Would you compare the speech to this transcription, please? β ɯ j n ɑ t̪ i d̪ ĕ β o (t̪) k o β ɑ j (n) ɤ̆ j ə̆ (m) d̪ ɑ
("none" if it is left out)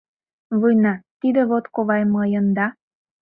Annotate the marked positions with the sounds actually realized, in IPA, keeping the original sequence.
t̪, m, n

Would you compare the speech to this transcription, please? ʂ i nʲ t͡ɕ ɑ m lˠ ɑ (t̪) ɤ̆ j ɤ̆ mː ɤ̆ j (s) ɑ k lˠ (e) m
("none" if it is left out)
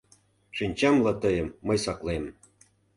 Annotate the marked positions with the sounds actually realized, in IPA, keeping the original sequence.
t̪, s, e

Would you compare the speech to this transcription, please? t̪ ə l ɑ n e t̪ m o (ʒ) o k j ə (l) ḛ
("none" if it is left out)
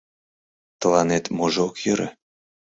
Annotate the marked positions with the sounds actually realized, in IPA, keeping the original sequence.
ʒ, ɾ

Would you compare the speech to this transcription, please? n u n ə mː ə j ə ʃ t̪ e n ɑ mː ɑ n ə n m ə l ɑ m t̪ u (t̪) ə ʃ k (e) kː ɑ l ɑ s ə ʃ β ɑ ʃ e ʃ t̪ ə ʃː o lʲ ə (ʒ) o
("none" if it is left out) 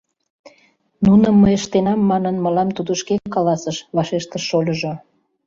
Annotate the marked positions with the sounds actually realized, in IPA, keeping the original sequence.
d̪, e, ʒ

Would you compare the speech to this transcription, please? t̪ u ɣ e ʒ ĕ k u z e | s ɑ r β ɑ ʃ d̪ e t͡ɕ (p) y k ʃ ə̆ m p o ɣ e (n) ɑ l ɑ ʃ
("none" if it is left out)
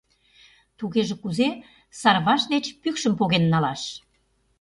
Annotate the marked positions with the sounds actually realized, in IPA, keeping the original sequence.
p, nː

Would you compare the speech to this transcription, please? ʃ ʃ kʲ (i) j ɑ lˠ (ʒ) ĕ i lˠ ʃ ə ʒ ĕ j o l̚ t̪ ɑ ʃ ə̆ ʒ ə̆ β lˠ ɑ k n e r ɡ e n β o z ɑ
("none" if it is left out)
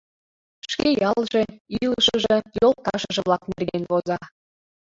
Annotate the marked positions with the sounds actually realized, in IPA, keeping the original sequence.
e, ʒ

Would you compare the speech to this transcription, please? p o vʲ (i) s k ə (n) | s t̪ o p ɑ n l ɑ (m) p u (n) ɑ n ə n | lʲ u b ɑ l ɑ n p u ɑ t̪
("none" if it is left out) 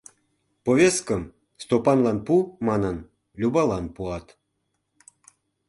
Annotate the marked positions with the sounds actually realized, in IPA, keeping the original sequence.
e, m, n, m

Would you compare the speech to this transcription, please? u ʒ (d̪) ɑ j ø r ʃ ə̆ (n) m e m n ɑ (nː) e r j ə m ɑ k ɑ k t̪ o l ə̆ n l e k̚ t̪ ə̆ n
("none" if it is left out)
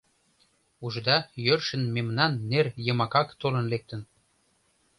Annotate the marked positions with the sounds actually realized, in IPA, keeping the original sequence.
d̪, n, nː

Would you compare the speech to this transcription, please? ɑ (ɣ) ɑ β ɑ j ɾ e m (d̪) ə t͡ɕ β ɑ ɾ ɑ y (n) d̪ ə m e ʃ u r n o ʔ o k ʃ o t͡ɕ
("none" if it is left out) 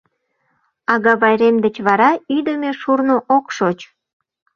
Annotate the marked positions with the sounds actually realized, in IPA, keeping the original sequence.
ɣ, d̪, none

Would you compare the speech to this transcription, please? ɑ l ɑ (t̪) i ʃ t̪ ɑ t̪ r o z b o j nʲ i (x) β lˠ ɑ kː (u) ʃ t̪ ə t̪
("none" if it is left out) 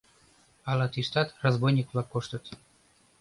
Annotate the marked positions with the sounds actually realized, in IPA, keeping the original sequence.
t̪, k, o

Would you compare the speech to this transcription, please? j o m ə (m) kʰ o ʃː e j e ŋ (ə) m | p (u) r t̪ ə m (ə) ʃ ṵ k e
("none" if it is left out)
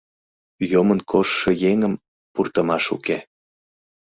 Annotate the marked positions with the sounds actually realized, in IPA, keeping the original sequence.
n, ə, u, ɑ

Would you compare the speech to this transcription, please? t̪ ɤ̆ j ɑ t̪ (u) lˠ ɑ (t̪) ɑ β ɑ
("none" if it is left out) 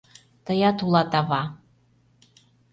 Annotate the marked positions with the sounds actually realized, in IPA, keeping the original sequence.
u, t̪

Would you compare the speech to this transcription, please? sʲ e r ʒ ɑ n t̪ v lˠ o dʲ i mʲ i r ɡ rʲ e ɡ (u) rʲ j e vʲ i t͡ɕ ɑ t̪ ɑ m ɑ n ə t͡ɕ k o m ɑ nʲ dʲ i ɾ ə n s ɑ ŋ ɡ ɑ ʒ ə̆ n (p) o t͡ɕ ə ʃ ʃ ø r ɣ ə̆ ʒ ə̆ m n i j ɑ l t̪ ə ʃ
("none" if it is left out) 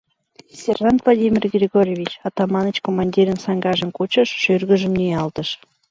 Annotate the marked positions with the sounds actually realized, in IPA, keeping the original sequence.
o, k

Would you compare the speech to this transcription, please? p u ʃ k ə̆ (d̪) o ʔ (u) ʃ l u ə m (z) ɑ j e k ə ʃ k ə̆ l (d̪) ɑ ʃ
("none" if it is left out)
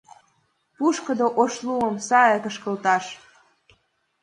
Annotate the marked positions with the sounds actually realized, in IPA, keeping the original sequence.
d̪, o, s, t̪

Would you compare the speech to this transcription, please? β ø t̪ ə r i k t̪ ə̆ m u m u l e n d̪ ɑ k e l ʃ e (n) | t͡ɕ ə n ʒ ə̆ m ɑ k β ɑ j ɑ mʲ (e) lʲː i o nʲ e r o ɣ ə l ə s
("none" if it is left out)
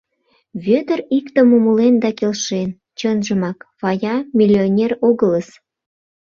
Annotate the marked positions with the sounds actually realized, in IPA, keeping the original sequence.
n, i

